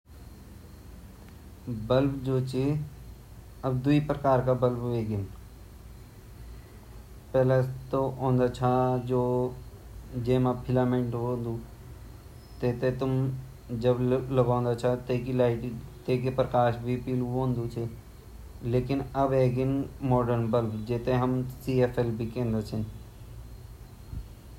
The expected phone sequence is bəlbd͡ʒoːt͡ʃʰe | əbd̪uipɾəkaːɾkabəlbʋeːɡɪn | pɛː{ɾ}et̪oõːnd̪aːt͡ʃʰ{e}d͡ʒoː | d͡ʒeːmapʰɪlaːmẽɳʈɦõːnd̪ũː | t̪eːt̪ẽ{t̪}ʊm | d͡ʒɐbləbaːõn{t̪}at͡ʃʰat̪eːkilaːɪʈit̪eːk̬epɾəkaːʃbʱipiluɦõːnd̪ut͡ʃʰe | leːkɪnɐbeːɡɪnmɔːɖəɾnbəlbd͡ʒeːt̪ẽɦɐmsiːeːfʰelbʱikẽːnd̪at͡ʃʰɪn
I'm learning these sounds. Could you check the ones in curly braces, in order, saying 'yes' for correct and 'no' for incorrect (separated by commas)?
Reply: no, no, yes, no